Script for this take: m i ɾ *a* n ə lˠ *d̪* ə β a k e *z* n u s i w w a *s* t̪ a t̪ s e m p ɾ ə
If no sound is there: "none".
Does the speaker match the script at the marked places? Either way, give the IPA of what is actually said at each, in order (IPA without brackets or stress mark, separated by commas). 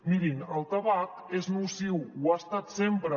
i, t̪, z, s